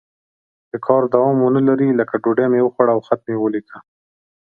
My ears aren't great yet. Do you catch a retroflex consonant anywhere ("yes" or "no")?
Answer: yes